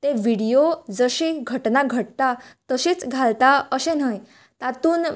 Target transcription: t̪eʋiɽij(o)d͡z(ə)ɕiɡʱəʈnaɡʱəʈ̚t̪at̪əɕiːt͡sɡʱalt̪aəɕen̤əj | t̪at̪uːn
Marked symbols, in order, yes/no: yes, yes

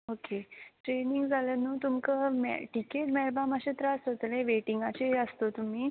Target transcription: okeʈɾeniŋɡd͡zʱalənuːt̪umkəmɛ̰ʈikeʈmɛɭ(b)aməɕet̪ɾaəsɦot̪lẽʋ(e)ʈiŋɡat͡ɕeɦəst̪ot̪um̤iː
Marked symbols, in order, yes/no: yes, yes

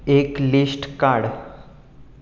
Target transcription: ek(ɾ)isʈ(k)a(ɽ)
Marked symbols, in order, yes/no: no, yes, yes

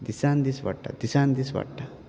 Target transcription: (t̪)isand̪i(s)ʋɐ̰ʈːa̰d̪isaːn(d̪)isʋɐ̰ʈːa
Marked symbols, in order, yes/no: no, yes, yes

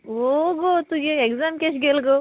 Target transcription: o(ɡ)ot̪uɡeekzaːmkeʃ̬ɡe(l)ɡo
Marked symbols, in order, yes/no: yes, yes

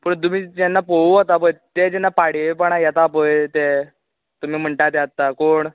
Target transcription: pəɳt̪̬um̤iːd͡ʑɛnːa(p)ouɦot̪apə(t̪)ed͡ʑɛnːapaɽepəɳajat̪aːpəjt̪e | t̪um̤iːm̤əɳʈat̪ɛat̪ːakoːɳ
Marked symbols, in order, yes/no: yes, yes

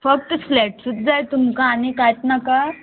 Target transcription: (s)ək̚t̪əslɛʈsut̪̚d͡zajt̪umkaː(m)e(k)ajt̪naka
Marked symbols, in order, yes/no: no, no, yes

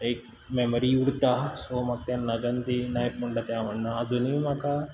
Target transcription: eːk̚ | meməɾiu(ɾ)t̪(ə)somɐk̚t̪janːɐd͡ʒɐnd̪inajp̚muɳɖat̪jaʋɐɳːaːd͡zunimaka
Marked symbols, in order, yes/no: no, no

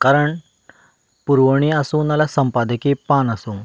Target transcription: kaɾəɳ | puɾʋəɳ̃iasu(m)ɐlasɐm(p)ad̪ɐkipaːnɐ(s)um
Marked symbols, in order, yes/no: no, yes, yes

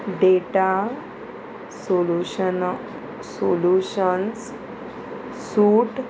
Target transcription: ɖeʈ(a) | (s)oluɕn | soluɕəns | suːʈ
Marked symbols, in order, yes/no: yes, yes

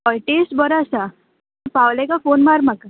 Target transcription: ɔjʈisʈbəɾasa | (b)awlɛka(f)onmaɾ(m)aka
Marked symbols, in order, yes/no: no, yes, yes

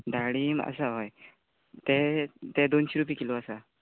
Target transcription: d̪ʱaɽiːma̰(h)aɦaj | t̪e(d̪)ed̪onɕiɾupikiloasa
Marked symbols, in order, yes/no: no, no

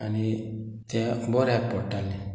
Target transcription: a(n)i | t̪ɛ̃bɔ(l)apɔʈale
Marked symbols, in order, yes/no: yes, no

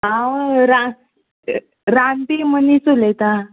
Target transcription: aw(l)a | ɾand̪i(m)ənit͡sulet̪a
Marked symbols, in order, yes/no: no, yes

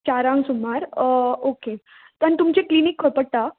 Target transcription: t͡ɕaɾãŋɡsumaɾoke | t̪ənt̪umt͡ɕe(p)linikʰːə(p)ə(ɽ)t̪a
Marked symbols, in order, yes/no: no, yes, yes

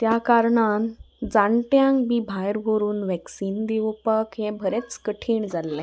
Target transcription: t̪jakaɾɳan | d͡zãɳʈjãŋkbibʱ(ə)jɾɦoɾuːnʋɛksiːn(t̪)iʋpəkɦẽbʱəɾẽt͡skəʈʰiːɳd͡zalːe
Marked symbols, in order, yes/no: no, no

